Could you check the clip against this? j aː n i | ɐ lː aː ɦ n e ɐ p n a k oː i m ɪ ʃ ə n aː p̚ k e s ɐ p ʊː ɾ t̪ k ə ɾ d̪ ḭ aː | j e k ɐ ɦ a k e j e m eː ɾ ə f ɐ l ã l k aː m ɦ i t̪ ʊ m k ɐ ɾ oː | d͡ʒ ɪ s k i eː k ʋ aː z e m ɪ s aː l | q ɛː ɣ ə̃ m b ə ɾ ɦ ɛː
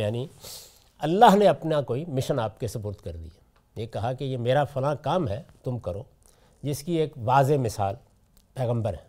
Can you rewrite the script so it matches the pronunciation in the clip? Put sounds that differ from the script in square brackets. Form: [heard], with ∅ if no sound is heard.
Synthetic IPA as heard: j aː n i | ɐ lː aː ɦ n e ɐ p n a k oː i m ɪ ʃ ə n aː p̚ k e s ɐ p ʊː ɾ t̪ k [ɐ] ɾ d̪ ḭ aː | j e k ɐ ɦ a k e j e m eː ɾ [a] f ɐ l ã [∅] k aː m ɦ [ɛ] t̪ ʊ m k ɐ ɾ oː | d͡ʒ ɪ s k i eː k ʋ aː z e m ɪ s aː l | [p] ɛː ɣ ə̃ m b ə ɾ ɦ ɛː